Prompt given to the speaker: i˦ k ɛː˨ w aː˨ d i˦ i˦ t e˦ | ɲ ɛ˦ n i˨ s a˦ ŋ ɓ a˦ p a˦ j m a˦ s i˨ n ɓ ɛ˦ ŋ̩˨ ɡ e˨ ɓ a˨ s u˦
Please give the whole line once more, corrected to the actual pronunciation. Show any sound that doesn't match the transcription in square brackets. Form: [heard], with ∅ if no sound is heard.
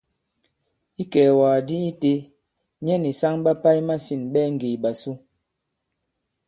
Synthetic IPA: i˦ k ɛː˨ w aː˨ d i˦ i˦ t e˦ | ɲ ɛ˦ n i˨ s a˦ ŋ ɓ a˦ p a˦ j m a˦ s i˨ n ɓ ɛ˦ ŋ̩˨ ɡ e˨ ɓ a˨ s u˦